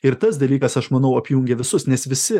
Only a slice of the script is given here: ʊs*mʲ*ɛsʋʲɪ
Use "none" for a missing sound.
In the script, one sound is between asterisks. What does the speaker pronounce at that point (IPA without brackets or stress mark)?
nʲ